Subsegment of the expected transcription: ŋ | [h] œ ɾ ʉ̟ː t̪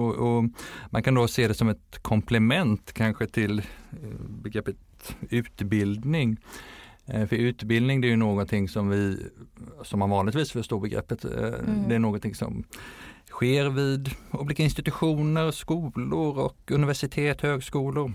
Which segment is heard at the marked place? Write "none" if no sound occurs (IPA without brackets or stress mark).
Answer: f